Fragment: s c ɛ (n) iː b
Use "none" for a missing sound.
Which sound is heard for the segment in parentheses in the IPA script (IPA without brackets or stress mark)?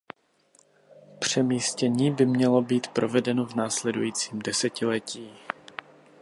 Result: ɲ